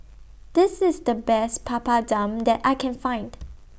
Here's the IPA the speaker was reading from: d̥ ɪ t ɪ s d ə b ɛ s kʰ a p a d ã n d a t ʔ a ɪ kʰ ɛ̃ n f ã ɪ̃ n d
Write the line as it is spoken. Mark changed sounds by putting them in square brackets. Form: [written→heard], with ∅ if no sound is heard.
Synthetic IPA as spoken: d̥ ɪ [t→s] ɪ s d ə b ɛ s [kʰ→pʰ] a p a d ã [n→m] d [a→ɛ] t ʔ a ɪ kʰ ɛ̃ n f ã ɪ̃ n d

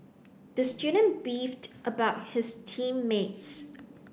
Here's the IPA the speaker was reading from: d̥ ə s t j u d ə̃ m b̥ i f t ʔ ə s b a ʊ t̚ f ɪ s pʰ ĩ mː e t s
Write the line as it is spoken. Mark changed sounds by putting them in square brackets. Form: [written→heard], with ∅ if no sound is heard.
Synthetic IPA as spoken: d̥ ə s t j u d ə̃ [m→n] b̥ i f t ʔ ə [s→∅] b a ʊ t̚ [f→h] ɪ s [pʰ→tʰ] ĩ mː e t s

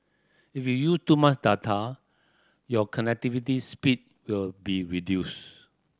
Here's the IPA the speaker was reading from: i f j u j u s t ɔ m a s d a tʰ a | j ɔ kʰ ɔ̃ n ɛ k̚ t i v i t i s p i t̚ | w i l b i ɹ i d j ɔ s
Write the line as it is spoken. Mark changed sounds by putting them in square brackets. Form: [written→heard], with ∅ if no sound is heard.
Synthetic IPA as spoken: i f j u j u s t [ɔ→u] m a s d a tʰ a | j ɔ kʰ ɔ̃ n ɛ k̚ t i v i t i s p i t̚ | w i l b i ɹ i d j [ɔ→u] s

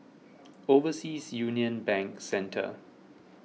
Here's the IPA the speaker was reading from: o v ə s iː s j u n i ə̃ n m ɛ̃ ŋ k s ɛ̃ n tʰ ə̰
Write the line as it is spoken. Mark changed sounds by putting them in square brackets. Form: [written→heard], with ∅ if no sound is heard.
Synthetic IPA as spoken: o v ə s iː s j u n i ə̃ n [m→b] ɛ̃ ŋ k s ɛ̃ n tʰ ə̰

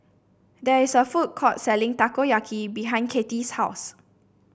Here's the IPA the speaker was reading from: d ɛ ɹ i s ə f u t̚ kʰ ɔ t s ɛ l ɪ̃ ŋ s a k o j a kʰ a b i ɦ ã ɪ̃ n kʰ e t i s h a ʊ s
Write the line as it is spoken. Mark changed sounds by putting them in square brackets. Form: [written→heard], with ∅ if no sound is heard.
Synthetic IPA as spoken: d ɛ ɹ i s ə f u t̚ kʰ ɔ t s ɛ l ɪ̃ ŋ [s→t] a k o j a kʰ [a→i] b i ɦ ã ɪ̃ n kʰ e t i s h a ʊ s

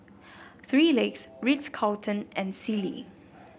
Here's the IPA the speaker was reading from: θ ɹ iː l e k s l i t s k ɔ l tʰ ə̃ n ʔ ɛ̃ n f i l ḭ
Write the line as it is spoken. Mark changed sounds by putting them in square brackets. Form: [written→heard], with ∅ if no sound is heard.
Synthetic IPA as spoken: θ ɹ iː l e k s [l→ɹ] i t s [k→kʰ] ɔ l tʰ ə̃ n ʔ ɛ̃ n [f→s] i l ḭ

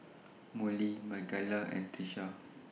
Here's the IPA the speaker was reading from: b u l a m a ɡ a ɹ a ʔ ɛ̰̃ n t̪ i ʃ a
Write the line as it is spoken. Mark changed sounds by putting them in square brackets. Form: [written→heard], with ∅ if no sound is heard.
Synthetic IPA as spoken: [b→m] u l [a→i] m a ɡ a [ɹ→l] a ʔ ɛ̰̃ n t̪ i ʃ a

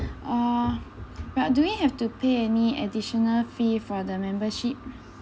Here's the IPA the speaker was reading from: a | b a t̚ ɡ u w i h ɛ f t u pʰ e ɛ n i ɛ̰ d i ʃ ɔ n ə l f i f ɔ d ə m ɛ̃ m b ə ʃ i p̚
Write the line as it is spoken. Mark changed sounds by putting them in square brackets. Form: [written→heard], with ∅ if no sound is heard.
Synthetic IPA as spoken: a | b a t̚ [ɡ→d] u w i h ɛ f t u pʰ e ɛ n i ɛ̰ d i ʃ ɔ n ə l f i f ɔ d ə m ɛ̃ m b ə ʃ i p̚

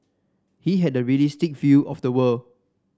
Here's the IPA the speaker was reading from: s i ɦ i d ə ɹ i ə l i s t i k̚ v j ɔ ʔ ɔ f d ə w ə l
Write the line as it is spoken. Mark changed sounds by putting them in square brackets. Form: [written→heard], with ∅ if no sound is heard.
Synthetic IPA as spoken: [s→h] i ɦ [i→ɛ] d ə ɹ i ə l i s t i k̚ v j [ɔ→u] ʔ ɔ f d ə w ə l

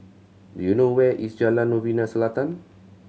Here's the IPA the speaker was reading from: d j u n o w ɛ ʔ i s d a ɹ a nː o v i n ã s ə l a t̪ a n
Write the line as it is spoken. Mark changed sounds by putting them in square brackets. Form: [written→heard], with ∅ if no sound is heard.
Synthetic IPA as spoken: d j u n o w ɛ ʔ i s [d→d͡ʒ] a [ɹ→l] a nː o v i n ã s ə l a t̪ a n

